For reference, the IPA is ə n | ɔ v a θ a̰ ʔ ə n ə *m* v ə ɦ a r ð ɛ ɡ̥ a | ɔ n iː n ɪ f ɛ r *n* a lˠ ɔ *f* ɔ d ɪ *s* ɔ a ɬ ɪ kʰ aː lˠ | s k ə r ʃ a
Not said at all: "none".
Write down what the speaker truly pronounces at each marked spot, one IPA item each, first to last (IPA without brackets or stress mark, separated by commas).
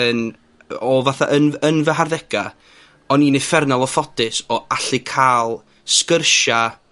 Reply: n, n, f, s